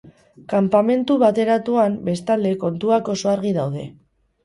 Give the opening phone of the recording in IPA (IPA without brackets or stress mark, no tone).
k